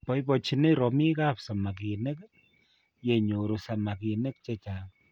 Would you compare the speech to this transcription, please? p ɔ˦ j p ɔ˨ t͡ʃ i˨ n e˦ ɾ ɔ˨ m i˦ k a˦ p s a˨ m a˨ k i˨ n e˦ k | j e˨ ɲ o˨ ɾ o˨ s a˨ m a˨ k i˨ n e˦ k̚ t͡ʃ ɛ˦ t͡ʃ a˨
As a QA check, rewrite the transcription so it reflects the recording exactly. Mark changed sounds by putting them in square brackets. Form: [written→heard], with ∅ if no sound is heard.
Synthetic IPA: p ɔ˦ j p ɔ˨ t͡ʃ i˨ n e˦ ɾ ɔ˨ m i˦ k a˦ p s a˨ m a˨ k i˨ n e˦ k | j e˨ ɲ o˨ ɾ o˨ s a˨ m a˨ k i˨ n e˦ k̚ t͡ʃ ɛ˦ t͡ʃ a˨